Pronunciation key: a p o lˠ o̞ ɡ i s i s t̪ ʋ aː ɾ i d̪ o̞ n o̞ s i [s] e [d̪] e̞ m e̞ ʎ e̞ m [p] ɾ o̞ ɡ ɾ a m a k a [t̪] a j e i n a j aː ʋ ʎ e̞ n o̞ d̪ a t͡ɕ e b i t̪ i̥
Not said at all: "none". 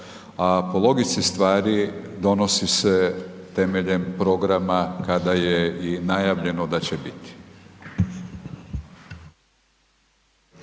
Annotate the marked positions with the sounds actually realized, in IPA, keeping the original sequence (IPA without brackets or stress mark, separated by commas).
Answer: s, t̪, p, d̪